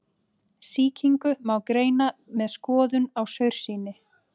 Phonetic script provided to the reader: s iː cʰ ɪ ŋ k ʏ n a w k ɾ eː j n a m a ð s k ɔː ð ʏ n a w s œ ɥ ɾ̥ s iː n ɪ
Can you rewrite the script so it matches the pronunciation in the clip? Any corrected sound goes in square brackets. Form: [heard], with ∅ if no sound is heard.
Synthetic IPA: s iː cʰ [i] ŋ k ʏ [m] a w k ɾ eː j n a m [ɛ] ð s k ɔː ð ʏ n a w s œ ɥ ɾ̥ s iː n ɪ